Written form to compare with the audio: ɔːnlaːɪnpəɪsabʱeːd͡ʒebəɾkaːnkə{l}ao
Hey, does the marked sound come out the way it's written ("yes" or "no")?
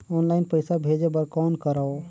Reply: no